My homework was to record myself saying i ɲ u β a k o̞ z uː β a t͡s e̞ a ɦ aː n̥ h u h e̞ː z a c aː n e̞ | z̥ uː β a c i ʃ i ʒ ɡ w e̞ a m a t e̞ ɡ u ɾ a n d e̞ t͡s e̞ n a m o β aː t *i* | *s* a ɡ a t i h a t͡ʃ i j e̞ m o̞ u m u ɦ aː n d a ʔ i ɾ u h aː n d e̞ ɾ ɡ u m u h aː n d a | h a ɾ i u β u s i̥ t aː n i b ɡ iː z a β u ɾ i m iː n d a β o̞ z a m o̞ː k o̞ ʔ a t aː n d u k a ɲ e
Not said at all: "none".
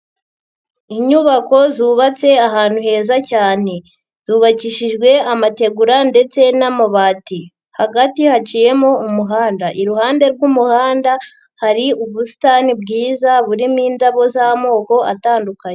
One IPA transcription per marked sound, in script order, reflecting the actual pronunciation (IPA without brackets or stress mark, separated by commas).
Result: i, h